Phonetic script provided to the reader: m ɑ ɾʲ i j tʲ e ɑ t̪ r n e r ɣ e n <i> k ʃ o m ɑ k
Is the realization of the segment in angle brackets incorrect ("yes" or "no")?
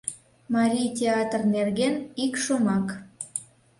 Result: no